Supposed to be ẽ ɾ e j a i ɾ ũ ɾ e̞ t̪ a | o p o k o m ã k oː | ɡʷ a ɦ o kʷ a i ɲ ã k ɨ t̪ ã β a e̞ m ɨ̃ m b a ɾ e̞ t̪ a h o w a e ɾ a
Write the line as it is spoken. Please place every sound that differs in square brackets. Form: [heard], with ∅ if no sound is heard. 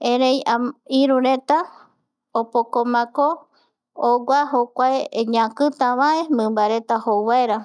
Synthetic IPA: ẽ ɾ e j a i ɾ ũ ɾ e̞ t̪ a | o p o k o m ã k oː | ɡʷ a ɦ o kʷ a [e] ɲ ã k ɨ t̪ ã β a e̞ m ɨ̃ m b a ɾ e̞ t̪ a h o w a e ɾ a